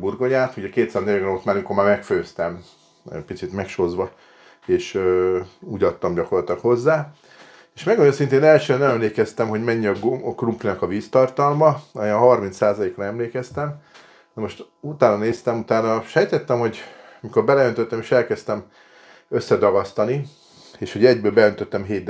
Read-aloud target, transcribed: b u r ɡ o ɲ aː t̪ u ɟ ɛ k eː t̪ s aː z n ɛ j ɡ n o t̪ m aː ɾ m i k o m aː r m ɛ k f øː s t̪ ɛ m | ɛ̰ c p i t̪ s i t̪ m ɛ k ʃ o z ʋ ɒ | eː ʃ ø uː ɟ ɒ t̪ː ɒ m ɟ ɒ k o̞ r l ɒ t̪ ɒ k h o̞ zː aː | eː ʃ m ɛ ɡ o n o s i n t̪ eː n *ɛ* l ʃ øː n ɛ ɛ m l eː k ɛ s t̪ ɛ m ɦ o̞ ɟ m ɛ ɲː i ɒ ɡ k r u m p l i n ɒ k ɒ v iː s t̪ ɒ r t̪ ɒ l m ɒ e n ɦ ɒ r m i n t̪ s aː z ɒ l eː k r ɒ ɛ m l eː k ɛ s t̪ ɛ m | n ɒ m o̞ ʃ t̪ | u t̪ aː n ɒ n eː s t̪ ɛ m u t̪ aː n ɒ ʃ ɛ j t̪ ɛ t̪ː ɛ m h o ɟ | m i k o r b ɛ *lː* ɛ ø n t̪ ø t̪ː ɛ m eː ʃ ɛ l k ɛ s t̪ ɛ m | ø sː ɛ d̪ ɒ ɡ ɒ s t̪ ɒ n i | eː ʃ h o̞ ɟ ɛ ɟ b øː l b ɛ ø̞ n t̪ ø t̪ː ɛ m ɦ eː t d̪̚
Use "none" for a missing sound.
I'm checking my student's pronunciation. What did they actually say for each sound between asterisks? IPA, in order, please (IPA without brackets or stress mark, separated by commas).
ɛ, l